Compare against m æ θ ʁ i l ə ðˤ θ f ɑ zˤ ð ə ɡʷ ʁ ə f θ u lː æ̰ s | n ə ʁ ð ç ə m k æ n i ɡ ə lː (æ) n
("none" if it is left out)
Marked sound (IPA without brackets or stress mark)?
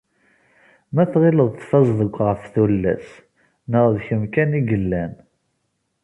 æ